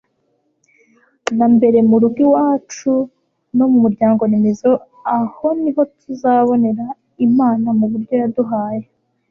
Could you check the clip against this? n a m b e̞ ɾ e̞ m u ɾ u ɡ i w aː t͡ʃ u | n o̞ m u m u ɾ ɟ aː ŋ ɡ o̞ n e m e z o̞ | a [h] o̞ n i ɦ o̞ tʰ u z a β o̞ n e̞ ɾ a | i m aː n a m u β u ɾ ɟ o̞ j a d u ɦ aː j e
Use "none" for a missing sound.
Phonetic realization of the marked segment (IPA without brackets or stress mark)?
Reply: h